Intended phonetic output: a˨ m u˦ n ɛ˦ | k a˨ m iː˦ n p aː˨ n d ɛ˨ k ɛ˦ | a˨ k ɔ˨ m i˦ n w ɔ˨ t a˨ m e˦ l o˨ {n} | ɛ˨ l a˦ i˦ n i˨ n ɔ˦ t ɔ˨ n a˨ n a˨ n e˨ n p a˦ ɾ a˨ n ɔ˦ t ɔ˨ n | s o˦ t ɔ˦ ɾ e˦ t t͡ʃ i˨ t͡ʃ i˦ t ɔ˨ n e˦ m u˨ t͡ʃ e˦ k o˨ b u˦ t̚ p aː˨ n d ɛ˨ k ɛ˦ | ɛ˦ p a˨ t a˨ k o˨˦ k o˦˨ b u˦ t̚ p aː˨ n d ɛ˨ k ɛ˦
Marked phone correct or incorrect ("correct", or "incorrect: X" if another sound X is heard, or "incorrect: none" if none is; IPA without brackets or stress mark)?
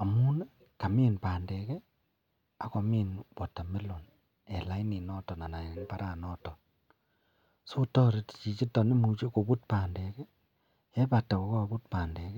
correct